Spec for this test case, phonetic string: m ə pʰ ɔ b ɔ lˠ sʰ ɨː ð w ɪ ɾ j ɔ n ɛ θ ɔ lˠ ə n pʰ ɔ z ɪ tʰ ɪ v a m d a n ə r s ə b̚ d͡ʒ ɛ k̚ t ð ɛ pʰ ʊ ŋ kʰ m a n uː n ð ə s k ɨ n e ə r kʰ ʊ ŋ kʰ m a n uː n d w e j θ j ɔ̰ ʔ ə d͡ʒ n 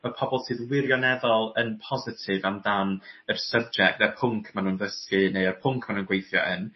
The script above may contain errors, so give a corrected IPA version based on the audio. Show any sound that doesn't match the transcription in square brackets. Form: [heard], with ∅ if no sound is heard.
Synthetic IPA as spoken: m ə pʰ ɔ b ɔ lˠ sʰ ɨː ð w ɪ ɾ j ɔ n ɛ [ð] ɔ lˠ ə n pʰ ɔ z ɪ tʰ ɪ v a m d a n ə r s ə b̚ d͡ʒ ɛ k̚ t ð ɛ pʰ ʊ ŋ kʰ m a n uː n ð ə s k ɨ n e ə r [pʰ] ʊ ŋ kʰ m a n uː n [ɡ] w e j θ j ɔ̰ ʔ ə [∅] n